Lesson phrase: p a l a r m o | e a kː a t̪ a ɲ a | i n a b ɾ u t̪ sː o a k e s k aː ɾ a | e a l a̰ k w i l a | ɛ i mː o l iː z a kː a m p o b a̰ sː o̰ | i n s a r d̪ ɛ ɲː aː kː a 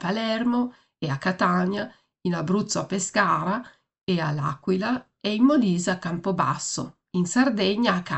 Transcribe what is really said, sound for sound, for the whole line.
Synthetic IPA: p a l ɛ r m o | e a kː a t̪ a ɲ a | i n a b ɾ u t̪ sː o a p e s k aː ɾ a | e a l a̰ k w i l a | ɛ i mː o l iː z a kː a m p o b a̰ sː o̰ | i n s a r d̪ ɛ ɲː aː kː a